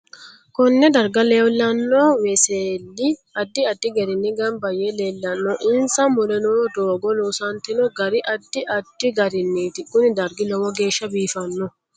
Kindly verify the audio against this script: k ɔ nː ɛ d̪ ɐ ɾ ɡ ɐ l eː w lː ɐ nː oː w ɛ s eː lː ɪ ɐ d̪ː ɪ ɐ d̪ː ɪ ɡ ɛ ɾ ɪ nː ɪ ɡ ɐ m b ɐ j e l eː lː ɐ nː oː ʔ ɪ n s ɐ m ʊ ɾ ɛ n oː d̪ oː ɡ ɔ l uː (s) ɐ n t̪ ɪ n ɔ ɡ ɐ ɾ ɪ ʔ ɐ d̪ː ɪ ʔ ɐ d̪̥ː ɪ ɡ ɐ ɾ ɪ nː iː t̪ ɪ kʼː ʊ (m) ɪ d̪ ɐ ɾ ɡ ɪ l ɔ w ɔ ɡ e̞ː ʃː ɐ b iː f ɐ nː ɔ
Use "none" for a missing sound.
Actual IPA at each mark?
s, n

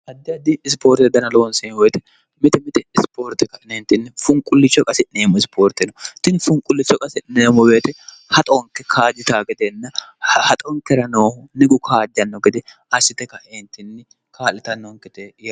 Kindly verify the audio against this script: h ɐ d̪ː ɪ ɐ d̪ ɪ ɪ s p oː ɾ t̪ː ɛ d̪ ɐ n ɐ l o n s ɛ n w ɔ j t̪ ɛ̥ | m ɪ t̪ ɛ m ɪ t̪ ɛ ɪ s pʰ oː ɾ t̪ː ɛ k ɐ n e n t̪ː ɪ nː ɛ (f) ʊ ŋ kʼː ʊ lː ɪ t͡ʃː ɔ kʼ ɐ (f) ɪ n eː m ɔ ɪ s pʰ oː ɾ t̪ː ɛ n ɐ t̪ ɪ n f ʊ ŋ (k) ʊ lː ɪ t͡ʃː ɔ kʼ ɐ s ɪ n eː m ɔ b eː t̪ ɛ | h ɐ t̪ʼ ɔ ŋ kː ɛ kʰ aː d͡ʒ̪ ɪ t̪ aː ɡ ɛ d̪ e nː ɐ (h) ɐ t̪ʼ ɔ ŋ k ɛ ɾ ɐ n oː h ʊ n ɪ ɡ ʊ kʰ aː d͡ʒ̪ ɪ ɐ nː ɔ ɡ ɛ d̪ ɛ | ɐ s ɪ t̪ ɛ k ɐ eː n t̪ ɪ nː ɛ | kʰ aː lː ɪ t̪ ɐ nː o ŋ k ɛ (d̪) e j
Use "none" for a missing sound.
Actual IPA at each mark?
f, s, kʼ, h, t̪

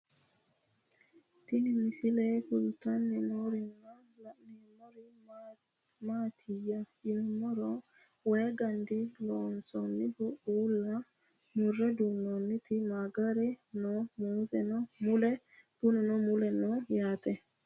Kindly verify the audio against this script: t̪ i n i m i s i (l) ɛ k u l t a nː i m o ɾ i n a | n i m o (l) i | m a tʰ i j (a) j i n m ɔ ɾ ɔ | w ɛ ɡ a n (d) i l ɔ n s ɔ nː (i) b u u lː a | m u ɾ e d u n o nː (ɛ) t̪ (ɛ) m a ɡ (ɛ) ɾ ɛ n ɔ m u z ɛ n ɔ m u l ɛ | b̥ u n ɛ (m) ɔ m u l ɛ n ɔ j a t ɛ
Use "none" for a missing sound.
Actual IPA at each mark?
l, ɾ, a, d, i, i, i, a, n

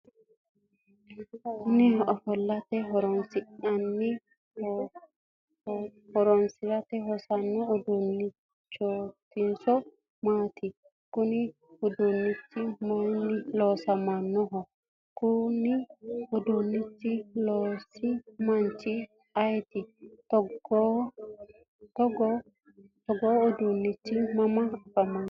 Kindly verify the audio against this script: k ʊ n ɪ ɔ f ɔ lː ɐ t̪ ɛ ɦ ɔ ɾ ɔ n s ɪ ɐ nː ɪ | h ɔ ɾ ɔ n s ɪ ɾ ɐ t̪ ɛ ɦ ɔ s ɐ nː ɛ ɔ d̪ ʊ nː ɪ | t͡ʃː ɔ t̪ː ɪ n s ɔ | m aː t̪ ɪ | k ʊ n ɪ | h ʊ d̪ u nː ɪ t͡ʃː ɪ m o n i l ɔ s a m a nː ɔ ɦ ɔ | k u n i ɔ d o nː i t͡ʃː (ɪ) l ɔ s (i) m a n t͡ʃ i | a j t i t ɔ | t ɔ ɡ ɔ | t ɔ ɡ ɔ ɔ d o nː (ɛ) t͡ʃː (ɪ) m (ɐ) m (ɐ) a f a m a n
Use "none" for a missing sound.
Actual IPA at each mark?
i, i, i, i, a, a

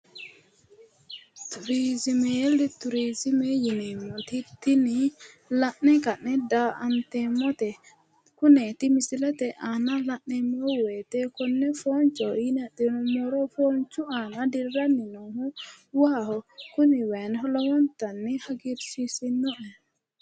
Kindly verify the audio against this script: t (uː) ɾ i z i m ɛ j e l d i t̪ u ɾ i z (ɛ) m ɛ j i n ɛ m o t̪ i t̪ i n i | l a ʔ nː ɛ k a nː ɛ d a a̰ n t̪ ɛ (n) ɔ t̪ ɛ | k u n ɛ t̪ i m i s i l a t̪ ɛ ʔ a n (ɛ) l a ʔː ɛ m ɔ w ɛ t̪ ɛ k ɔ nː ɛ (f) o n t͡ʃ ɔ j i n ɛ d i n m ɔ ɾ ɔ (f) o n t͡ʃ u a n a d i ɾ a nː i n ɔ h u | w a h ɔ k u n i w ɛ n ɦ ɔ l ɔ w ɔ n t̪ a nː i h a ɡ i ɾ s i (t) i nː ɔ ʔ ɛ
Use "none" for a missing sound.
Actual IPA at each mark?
u, i, m, a, f, f, s

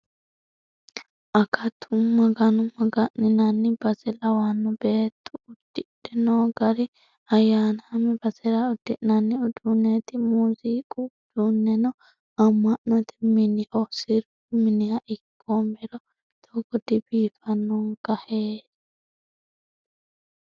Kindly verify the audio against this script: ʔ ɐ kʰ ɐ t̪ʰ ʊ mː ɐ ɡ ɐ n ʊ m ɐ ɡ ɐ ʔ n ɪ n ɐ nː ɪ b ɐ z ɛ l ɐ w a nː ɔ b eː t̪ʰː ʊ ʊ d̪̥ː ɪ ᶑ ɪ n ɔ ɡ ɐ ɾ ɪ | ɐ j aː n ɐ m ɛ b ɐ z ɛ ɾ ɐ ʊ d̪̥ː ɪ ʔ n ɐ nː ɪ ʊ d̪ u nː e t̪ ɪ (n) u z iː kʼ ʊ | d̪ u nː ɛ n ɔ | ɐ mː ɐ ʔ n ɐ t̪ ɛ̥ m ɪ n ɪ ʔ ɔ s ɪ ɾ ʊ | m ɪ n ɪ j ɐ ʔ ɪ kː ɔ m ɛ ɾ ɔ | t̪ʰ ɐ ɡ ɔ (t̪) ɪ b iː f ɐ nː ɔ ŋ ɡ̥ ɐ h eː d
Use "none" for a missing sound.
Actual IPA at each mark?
m, d̪

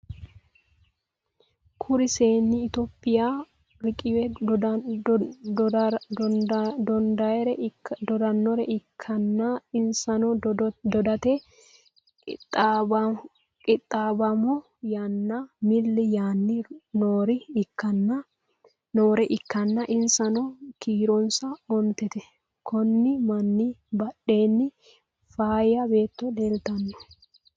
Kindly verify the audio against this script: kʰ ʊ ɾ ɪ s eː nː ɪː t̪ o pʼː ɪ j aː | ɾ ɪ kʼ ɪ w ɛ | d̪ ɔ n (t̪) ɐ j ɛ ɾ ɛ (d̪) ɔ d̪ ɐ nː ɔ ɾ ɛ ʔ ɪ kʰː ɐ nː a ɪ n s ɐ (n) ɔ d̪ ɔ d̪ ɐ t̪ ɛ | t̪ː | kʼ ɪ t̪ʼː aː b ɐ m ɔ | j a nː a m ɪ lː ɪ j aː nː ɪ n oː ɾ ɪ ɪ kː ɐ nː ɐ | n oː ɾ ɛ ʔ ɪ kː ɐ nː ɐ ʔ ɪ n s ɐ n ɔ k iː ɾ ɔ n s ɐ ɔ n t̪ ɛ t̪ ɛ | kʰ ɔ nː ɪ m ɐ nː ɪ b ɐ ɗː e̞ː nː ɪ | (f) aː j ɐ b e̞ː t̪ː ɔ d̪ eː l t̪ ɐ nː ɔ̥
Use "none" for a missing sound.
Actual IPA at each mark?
d̪, d̪, n, f

